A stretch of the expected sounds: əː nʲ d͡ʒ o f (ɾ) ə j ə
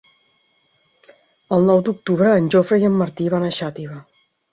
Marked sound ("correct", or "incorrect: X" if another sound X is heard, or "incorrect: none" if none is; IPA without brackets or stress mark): correct